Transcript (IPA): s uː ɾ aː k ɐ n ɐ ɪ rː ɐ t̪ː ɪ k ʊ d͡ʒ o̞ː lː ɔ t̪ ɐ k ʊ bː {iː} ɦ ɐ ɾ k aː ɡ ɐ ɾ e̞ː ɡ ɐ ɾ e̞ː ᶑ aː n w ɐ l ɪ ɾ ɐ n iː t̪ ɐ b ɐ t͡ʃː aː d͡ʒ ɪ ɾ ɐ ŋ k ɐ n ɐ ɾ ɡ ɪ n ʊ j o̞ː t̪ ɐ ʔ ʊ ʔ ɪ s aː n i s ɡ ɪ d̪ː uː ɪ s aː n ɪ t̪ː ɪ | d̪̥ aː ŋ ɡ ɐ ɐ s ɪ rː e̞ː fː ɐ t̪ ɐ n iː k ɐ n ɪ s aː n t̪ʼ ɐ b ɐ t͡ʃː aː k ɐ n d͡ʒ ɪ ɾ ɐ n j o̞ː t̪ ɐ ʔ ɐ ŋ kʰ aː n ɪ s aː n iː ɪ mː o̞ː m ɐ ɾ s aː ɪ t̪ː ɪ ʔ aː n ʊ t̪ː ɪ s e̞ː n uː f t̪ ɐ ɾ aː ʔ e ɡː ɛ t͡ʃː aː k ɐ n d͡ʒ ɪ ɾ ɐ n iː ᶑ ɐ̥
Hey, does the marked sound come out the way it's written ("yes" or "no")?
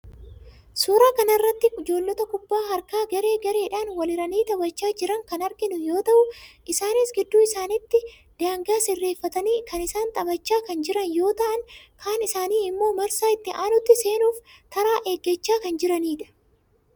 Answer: no